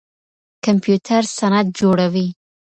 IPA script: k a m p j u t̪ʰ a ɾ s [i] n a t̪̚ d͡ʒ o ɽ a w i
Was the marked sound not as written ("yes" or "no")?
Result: yes